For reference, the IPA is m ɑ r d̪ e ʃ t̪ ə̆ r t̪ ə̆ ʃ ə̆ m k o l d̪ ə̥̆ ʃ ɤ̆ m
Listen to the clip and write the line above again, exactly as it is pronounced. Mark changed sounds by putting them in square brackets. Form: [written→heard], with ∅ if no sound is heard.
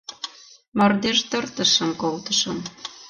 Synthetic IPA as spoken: m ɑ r d̪ e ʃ t̪ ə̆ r t̪ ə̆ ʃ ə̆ m k o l [d̪→t̪] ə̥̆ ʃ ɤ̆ m